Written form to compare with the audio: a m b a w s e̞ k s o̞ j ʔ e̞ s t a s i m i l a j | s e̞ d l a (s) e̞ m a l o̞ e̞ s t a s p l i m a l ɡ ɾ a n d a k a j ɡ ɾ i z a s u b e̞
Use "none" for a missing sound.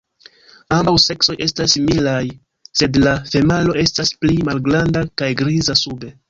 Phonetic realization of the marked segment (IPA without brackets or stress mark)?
f